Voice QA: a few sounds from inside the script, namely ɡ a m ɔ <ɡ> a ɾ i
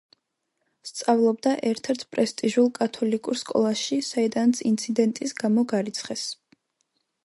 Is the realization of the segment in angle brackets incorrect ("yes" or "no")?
no